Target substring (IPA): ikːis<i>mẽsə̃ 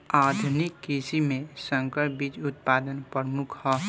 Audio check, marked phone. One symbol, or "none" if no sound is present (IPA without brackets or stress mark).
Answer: i